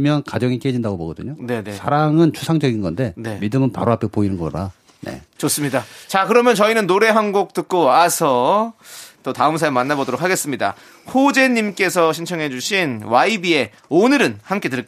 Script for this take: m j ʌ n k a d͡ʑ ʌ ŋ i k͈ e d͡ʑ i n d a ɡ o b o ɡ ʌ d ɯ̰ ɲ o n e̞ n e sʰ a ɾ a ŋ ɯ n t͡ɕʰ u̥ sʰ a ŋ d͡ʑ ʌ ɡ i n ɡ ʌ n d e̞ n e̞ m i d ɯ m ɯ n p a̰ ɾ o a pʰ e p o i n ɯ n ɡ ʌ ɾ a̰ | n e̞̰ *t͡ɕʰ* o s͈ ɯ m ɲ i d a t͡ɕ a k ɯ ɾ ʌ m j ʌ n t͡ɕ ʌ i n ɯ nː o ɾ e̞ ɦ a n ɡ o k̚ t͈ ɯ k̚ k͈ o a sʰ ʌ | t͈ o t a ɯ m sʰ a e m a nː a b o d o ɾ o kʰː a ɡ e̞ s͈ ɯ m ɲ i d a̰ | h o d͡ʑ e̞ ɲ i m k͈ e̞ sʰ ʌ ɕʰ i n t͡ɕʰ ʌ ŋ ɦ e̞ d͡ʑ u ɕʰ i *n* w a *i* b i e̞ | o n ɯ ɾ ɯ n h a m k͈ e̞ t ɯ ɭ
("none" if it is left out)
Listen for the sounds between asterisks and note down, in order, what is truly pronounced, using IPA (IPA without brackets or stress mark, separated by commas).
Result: t͡ɕ, n, i